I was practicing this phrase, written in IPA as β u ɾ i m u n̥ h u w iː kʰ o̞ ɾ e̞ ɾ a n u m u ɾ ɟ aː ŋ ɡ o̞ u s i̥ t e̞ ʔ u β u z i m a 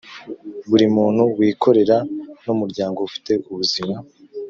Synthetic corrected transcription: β u ɾ i m uː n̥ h u w iː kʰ o̞ ɾ e̞ ɾ a n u m u ɾ ɟ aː ŋ ɡ o̞ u f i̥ t e̞ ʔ u β u z i m a